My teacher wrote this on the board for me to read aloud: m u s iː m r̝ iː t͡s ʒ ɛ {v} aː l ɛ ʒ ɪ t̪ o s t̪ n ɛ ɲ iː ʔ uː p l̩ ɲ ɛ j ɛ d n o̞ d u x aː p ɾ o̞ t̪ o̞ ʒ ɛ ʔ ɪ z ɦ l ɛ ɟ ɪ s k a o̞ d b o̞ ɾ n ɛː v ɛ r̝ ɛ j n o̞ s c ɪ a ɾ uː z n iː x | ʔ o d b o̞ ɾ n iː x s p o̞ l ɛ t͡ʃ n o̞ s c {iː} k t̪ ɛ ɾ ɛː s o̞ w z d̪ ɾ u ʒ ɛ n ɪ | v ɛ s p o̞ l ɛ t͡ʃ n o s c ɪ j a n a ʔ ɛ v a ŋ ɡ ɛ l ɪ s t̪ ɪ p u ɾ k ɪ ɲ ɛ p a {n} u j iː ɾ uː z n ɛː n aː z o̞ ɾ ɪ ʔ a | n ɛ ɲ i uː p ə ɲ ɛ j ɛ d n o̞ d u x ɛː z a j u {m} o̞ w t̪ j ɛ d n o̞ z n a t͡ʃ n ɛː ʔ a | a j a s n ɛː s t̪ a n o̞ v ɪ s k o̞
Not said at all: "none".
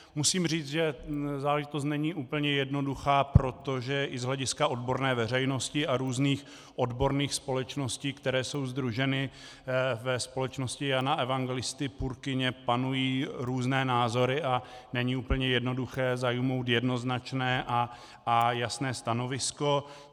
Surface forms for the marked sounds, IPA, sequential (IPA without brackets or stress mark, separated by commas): z, iː, n, m